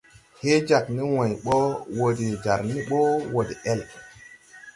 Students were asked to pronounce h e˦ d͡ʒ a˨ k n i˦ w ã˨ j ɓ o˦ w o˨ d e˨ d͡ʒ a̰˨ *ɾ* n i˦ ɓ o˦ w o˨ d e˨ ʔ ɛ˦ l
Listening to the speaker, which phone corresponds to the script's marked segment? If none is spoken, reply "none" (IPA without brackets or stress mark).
ɾ